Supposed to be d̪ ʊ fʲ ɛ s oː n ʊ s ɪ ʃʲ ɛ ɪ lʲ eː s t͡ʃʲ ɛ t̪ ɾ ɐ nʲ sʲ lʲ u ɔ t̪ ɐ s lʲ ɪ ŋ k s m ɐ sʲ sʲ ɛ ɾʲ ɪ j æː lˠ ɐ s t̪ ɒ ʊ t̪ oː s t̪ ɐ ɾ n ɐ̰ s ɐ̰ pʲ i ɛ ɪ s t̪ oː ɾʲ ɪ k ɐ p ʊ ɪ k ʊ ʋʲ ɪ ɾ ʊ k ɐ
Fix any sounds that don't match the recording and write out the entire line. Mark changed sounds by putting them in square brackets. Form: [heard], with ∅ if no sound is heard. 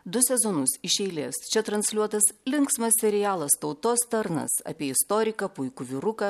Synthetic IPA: d̪ ʊ [sʲ] ɛ [z] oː n ʊ s ɪ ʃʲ ɛ ɪ lʲ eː s t͡ʃʲ ɛ t̪ ɾ ɐ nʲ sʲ lʲ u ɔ t̪ ɐ s lʲ ɪ ŋ k s m ɐ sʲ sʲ ɛ ɾʲ ɪ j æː lˠ ɐ s t̪ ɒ ʊ t̪ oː s t̪ ɐ ɾ n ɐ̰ s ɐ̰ pʲ i ɛ ɪ s t̪ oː ɾʲ ɪ k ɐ p ʊ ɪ k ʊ ʋʲ ɪ ɾ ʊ k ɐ